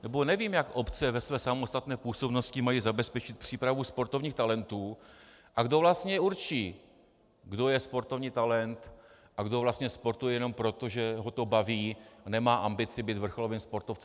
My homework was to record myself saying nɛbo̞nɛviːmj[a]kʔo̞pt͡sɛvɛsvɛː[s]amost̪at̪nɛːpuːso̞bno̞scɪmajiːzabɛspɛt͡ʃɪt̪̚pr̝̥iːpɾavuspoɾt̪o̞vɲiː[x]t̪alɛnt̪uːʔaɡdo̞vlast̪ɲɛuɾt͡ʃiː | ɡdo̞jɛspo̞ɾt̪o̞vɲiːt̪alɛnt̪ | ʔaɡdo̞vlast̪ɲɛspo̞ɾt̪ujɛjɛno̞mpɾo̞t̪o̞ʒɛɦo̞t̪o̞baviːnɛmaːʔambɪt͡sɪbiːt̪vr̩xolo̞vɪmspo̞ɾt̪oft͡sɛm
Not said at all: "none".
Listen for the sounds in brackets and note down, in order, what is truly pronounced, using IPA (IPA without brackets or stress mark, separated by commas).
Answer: a, s, x